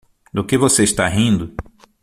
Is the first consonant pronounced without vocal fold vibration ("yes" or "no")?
no